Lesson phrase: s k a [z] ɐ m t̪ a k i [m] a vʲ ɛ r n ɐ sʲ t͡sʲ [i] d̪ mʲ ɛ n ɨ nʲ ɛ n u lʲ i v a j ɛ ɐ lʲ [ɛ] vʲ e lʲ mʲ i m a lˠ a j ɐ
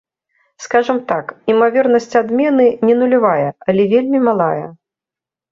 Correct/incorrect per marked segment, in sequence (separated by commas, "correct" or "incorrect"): incorrect, correct, incorrect, correct